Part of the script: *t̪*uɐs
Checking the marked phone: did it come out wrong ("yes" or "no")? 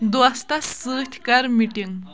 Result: yes